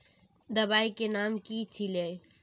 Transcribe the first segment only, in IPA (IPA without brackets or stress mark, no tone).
d̪